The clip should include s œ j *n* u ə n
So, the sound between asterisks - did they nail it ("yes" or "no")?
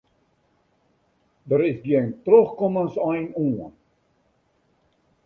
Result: yes